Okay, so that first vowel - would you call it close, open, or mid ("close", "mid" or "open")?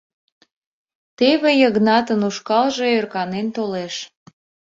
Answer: mid